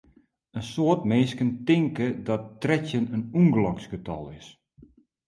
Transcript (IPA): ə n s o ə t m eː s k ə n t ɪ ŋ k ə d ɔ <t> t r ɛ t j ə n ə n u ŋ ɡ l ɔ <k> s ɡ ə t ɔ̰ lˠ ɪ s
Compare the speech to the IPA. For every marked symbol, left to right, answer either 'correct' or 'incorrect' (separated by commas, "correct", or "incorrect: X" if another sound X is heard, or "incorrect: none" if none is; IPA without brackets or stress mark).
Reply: correct, correct